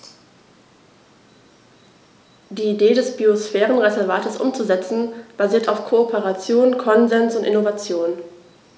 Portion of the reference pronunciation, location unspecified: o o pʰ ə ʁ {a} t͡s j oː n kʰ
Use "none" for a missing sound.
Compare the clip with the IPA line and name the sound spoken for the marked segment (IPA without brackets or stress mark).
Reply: a